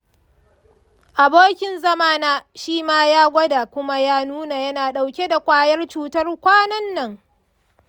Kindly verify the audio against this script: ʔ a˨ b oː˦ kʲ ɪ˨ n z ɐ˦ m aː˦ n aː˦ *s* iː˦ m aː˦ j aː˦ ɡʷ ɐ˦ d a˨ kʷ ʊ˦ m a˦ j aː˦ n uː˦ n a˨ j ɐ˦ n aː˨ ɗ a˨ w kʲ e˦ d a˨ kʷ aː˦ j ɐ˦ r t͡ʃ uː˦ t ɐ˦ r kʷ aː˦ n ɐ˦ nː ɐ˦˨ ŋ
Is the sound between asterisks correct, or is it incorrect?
incorrect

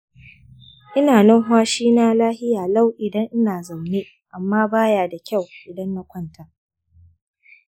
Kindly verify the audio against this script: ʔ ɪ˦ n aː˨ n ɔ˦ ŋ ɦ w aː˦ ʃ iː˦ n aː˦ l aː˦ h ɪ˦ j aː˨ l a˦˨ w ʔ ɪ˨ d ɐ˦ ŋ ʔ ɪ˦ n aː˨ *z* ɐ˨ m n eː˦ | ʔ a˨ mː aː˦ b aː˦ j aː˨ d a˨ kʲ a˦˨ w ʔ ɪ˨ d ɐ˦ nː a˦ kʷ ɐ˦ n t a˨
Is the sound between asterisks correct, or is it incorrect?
correct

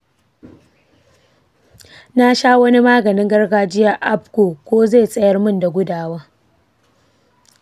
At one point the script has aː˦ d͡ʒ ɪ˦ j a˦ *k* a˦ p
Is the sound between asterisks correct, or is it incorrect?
incorrect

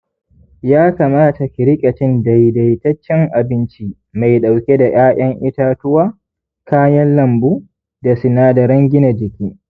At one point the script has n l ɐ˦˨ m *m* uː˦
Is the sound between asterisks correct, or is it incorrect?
incorrect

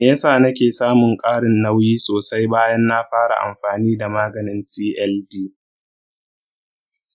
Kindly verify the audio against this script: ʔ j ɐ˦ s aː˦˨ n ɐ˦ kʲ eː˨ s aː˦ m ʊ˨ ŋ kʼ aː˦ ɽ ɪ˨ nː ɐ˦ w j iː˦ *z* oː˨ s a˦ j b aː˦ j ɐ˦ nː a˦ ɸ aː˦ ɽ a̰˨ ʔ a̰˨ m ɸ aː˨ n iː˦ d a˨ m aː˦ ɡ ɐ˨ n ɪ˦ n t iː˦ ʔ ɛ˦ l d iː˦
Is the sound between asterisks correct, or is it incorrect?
incorrect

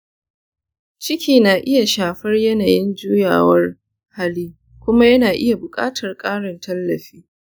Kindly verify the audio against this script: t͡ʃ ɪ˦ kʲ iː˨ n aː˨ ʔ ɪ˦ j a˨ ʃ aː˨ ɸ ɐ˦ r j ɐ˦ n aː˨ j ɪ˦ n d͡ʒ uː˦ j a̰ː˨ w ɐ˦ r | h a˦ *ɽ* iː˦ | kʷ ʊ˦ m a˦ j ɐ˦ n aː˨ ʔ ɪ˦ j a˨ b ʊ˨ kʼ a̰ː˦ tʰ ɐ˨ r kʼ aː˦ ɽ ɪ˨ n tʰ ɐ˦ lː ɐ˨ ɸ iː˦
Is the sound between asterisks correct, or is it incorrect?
incorrect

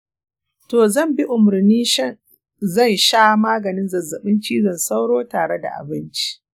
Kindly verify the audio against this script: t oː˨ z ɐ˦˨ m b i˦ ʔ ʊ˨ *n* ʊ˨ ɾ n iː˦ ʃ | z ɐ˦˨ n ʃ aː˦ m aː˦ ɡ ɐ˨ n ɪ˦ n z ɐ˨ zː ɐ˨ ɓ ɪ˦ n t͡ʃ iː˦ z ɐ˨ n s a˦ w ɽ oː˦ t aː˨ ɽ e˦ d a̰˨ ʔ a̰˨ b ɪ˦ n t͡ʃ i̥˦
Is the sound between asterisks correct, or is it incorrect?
incorrect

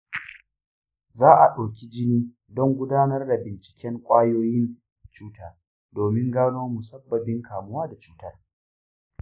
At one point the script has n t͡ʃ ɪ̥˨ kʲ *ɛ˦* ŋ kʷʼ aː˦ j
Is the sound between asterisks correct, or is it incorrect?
correct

